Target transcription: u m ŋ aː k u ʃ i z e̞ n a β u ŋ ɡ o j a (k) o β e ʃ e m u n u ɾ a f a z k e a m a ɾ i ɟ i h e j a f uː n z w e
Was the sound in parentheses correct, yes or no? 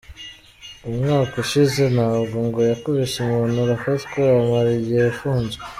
yes